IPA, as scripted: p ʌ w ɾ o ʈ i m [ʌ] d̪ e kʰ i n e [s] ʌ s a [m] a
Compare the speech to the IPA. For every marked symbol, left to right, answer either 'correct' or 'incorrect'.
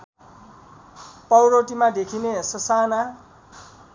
incorrect: a, correct, incorrect: n

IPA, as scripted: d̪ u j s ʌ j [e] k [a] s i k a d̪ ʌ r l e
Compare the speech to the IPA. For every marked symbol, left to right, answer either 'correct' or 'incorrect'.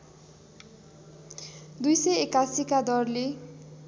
correct, correct

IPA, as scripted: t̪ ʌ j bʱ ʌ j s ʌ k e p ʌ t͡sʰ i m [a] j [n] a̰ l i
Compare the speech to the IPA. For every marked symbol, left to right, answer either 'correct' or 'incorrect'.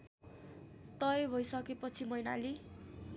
incorrect: ʌ, correct

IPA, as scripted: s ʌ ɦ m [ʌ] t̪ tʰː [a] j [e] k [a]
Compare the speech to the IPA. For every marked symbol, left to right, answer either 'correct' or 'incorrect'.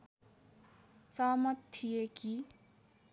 correct, incorrect: i, correct, incorrect: i

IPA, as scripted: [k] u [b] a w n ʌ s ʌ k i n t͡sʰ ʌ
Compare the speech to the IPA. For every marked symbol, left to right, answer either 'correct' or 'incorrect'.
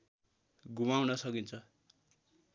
incorrect: ɡ, incorrect: m

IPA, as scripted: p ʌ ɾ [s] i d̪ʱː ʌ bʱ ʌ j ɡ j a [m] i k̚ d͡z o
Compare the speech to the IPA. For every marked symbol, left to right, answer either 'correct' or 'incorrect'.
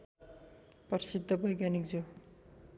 correct, incorrect: n

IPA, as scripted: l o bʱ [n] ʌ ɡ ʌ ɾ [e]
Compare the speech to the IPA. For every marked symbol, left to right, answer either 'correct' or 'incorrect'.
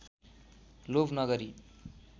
correct, incorrect: i

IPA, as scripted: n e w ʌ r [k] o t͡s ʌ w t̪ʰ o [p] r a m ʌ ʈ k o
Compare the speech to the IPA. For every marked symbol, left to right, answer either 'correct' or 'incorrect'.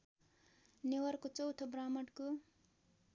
correct, incorrect: b

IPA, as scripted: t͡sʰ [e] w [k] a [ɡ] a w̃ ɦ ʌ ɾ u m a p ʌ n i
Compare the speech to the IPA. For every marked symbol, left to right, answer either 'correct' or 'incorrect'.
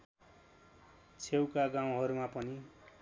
correct, correct, correct

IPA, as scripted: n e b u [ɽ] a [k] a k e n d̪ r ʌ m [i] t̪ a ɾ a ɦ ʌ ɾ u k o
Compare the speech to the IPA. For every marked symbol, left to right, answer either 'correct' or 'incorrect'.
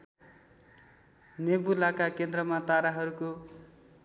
incorrect: l, correct, incorrect: a

